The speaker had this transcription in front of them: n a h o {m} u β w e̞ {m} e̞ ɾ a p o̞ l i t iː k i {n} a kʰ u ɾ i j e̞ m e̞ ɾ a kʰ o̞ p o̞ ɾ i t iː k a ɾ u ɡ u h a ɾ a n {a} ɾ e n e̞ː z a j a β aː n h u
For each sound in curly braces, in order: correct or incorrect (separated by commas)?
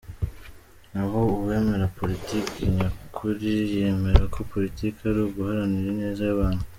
incorrect, correct, incorrect, incorrect